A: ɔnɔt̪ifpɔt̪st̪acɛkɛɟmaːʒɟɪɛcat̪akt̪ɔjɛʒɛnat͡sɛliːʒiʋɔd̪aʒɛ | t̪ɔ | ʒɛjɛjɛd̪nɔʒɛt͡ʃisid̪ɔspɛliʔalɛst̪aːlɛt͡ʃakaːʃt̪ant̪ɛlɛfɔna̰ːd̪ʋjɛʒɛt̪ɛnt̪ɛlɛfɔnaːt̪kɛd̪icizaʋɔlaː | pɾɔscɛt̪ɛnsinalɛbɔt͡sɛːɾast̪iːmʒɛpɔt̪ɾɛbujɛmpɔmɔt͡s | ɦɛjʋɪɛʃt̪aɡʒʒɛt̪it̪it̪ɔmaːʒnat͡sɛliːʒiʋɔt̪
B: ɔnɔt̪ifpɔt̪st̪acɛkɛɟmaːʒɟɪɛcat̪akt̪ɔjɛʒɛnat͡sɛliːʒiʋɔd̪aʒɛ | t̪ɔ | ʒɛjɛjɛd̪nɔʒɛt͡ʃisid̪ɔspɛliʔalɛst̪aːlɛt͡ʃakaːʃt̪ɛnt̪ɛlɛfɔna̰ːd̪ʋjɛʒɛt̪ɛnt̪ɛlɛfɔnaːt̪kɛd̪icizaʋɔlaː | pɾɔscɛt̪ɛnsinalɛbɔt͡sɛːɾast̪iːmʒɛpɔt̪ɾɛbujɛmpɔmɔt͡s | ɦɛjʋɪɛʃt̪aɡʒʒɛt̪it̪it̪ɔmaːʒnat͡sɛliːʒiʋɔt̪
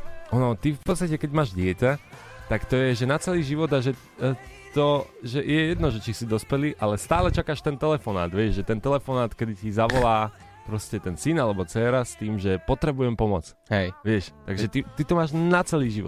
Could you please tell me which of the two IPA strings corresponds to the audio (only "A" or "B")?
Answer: B